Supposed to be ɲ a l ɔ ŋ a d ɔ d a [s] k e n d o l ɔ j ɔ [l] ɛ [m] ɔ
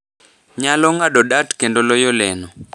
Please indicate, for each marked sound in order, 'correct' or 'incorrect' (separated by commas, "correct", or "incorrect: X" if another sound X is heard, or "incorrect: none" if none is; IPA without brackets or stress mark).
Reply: incorrect: t, correct, incorrect: n